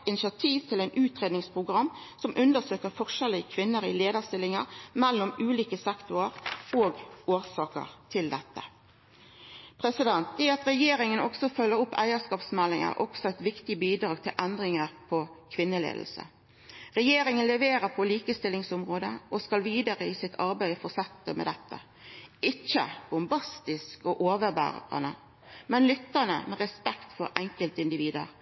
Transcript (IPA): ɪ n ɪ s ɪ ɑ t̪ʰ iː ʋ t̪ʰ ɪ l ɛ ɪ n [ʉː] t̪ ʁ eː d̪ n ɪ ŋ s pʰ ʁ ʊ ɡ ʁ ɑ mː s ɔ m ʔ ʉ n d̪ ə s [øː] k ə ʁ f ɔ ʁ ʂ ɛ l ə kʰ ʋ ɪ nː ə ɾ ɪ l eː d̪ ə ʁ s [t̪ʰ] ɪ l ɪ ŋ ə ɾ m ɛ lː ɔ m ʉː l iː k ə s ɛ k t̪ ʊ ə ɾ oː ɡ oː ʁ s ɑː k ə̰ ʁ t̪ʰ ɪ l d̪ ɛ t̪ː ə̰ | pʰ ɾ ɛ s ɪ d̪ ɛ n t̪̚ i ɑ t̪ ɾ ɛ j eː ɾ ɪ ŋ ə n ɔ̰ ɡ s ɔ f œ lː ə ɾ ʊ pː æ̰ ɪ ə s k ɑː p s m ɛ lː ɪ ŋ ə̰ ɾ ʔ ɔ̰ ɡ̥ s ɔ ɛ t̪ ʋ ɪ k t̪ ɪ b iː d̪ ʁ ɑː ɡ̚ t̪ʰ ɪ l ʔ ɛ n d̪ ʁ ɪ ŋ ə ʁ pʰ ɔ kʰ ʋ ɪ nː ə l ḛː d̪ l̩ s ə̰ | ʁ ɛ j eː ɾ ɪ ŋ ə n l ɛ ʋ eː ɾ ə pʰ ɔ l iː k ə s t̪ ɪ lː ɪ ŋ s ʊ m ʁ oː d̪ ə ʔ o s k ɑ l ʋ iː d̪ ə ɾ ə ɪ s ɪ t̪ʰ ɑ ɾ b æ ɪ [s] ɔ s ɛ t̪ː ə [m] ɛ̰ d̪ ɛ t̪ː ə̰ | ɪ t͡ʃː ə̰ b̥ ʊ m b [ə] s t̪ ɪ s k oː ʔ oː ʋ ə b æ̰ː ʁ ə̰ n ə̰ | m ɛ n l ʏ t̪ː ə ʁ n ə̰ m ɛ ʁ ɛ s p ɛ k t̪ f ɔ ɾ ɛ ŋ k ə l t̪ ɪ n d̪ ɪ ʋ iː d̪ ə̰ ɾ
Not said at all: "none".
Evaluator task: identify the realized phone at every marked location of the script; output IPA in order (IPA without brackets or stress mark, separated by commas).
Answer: ʉː, øː, t̪, f, m, ɑ